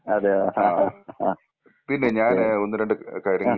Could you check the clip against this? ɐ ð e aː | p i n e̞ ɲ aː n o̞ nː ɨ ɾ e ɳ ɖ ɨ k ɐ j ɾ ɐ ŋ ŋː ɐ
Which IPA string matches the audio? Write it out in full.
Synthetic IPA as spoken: ɐ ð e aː | p i nː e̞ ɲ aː n o̞ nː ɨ ɾ e ɳ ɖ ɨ k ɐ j ɾ ɐ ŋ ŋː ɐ